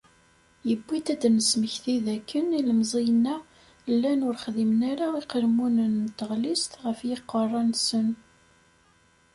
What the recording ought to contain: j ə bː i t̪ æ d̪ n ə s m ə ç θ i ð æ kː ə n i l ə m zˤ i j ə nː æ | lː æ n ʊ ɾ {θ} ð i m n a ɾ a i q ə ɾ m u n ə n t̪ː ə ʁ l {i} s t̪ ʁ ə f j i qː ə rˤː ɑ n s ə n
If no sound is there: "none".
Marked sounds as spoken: χ, i

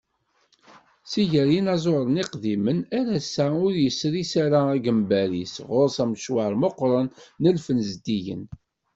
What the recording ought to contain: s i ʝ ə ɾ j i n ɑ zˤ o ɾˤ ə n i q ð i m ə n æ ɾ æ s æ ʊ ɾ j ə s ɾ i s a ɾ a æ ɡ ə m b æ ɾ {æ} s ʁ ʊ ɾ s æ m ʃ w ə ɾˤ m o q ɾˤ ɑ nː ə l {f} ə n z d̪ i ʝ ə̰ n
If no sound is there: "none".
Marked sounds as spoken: i, f

